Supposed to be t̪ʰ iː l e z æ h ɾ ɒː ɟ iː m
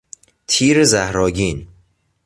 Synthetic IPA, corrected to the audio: t̪ʰ iː ɾ e z æ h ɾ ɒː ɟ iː n